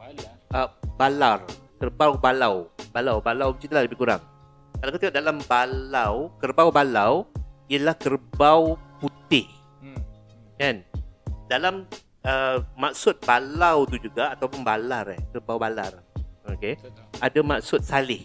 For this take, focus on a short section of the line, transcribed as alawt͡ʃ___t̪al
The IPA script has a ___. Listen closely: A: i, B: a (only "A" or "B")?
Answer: A